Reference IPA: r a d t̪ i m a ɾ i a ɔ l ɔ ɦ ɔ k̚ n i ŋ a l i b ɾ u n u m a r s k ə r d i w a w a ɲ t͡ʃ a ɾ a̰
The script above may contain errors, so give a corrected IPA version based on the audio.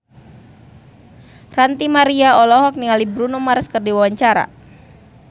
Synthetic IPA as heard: r a n t̪ i m a ɾ i a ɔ l ɔ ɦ ɔ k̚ n i ŋ a l i b ɾ u n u m a r s k ə r d i w a w a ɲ t͡ʃ a ɾ a̰